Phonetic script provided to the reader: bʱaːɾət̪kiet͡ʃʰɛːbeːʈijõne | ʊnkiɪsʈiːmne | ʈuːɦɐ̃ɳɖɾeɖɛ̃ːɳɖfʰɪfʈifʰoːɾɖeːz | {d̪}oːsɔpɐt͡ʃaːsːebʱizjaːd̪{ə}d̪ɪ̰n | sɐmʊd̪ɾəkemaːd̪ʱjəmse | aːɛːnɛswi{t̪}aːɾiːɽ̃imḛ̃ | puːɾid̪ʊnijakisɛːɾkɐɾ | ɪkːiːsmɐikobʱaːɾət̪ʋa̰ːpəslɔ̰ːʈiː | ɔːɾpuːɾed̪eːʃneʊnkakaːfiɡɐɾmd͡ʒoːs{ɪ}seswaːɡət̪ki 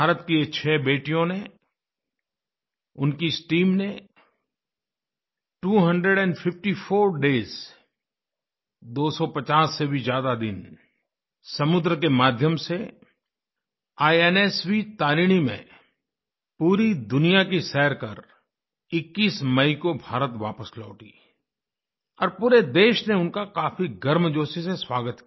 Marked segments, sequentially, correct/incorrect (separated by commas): correct, incorrect, correct, incorrect